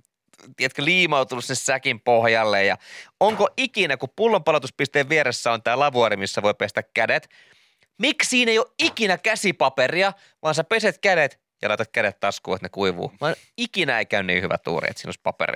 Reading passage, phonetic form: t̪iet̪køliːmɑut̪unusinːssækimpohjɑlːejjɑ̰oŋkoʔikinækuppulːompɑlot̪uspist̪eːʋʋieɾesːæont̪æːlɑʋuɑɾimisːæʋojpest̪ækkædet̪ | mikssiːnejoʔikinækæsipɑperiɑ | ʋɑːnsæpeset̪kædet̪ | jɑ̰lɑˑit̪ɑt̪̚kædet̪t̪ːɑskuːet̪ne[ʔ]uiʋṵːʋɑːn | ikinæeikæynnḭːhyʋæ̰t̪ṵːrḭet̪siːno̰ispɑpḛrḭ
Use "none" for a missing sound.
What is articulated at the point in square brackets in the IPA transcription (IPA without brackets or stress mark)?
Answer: k